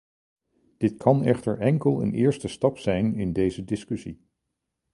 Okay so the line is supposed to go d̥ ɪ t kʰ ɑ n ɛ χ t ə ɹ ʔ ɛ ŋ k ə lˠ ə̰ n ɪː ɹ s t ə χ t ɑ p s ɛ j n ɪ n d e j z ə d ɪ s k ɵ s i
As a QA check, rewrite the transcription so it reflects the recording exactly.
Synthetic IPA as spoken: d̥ ɪ t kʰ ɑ n ɛ χ t ə ɹ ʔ ɛ ŋ k ə lˠ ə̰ n ɪː ɹ s t ə s t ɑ p s ɛ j n ɪ n d e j z ə d ɪ s k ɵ s i